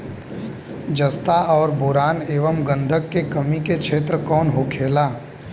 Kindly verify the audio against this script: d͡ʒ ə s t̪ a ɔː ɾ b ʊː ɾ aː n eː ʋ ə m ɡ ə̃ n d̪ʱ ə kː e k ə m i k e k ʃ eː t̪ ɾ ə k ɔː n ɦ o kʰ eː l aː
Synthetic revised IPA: d͡ʒ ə s t̪ a ɔː ɾ b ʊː ɾ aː n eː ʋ ə m ɡ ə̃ n d̪ʱ ə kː e k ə m i k e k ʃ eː t̪ ɾ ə k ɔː n ɦ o kʰ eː l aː